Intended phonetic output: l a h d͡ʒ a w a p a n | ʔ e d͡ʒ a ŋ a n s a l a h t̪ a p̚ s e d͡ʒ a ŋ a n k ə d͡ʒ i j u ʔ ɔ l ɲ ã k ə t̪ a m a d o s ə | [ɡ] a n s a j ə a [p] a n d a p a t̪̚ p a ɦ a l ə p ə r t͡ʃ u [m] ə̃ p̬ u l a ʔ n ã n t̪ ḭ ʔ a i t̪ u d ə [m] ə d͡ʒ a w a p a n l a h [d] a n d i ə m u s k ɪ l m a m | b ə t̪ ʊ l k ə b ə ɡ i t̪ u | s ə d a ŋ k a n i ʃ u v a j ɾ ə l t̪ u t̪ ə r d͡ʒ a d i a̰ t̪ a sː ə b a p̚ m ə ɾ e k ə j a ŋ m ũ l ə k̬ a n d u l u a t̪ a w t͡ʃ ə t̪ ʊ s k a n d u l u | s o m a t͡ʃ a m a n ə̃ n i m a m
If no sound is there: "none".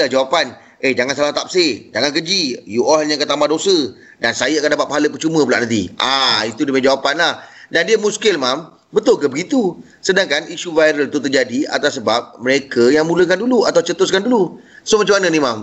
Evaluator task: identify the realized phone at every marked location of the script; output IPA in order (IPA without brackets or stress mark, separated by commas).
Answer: d, k, m, m, d